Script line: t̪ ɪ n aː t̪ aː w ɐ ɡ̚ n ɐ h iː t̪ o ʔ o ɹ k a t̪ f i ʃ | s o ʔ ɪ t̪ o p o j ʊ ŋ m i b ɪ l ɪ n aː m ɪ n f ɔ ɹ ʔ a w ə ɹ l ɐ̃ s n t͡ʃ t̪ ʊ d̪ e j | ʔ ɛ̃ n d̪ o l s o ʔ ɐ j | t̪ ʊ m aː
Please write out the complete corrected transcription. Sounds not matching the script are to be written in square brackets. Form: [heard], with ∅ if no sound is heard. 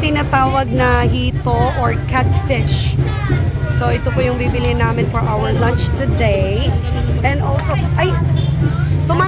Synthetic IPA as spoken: t̪ ɪ n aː t̪ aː w ɐ ɡ̚ n ɐ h iː t̪ o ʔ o ɹ k a t̪ f [ɪ] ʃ | s o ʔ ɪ t̪ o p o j ʊ ŋ [b] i b ɪ l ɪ n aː m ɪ n f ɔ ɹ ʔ a w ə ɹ l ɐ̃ [∅] n t͡ʃ t̪ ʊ d̪ e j | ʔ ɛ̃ n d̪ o l s o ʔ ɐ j | t̪ ʊ m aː